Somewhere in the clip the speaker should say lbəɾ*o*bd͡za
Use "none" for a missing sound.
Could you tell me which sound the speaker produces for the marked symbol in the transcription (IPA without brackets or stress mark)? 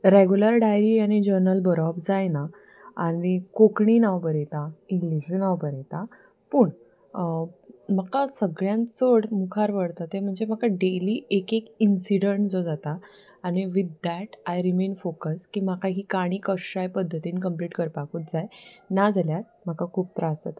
ɔ